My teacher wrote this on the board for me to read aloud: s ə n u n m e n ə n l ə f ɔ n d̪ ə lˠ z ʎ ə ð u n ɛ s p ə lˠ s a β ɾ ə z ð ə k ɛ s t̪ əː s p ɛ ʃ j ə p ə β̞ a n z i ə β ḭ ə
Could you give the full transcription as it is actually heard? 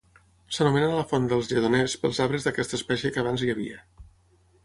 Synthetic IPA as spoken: s ə n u m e n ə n l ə f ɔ n d̪ ə lˠ z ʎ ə ð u n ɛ s p ə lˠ z a β ɾ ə z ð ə k ɛ s t̪ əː s p ɛ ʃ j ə k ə β̞ a n z i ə β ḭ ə